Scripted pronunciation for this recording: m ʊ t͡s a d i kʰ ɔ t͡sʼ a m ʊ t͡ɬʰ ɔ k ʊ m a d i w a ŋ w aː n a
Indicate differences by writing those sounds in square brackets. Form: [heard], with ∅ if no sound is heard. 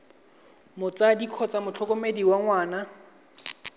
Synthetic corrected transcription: m ʊ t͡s a d i kʰ ɔ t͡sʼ a m ʊ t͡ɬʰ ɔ k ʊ m [e] d i w a ŋ w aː n a